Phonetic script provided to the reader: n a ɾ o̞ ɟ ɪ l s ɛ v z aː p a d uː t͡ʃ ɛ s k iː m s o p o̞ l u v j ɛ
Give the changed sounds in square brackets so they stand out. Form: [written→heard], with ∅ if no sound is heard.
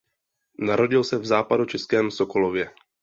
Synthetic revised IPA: n a ɾ o̞ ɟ ɪ l s ɛ v z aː p a d [uː→u] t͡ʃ ɛ s k [iː→ɛː] m s o [p→k] o̞ l [u→o] v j ɛ